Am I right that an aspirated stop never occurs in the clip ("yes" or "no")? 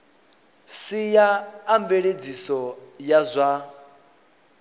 yes